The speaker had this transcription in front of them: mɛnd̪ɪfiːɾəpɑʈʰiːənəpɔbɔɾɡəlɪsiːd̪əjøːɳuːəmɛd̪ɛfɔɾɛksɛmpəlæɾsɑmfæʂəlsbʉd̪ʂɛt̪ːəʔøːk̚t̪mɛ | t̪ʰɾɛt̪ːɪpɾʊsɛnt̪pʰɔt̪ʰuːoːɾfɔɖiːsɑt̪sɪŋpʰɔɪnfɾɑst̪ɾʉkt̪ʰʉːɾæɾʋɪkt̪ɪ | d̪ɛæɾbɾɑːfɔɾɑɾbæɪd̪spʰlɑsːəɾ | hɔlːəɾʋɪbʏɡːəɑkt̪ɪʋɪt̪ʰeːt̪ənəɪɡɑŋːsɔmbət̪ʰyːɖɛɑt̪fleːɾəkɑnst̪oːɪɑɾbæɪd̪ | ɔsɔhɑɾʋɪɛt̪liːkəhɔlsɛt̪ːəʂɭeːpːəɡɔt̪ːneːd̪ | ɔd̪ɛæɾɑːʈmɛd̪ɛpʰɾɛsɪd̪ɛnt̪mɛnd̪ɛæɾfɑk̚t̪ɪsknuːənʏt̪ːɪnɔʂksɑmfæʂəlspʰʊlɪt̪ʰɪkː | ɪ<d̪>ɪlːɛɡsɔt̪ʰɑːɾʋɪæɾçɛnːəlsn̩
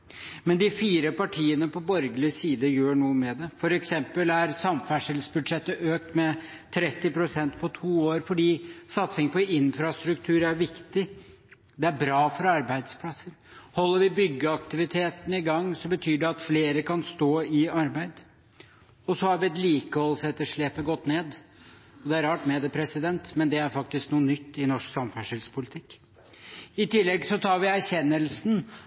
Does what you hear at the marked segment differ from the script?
yes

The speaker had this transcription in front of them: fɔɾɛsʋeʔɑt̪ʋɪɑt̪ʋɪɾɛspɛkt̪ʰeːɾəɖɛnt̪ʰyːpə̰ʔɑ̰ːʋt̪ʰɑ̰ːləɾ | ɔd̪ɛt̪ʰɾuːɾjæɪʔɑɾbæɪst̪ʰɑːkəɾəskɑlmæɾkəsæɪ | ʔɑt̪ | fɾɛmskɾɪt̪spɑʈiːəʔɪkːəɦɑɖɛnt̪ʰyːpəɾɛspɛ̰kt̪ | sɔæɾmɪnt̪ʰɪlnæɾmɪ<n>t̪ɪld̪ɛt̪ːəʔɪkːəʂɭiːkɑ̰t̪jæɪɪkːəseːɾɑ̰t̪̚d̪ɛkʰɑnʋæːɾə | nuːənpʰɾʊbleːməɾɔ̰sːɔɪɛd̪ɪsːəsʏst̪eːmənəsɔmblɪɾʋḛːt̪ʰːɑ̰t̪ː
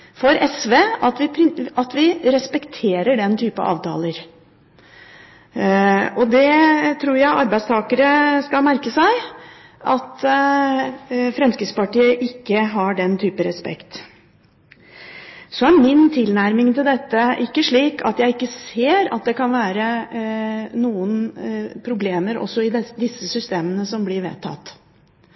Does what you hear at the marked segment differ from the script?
yes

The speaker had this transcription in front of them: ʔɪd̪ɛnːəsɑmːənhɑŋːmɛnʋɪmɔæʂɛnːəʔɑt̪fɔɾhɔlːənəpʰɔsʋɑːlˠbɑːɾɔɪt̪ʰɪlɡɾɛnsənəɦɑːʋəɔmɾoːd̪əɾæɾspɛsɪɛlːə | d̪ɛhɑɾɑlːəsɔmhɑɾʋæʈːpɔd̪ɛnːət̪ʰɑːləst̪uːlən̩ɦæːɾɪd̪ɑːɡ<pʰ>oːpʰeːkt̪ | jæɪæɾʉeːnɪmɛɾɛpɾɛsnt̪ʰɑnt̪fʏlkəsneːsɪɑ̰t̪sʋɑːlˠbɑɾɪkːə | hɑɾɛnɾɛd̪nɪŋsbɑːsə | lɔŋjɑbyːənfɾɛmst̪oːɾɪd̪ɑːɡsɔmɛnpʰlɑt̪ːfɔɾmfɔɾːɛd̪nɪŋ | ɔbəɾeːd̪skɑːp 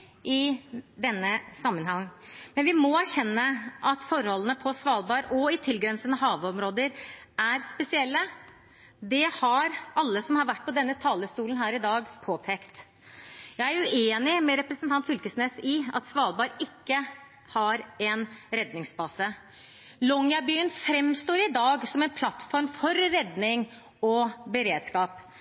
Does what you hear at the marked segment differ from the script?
no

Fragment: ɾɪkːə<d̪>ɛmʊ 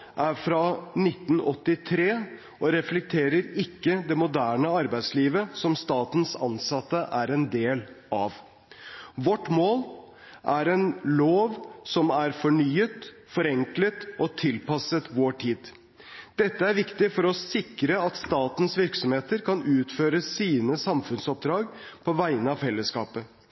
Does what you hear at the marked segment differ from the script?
no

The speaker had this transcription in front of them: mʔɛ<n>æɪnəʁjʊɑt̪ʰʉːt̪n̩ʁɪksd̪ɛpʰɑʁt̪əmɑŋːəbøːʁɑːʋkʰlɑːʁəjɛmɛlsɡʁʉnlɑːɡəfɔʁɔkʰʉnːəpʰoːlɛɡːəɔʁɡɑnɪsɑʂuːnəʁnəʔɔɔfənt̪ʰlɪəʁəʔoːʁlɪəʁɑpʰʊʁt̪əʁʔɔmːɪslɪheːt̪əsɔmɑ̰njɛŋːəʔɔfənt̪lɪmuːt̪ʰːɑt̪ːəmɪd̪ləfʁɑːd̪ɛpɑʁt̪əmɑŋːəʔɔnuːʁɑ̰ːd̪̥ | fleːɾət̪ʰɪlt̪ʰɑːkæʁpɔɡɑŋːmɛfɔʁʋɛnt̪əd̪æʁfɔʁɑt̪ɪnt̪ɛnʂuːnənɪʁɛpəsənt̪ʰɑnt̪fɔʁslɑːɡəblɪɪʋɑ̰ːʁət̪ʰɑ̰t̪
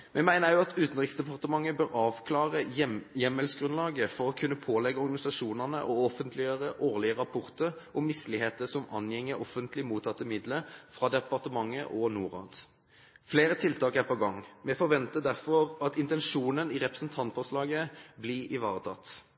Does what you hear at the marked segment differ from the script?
yes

